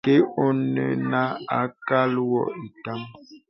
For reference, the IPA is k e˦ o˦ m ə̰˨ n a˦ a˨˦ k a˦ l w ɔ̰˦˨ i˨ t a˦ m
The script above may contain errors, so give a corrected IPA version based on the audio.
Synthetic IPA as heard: k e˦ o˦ n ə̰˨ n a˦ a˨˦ k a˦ l w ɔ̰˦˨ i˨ t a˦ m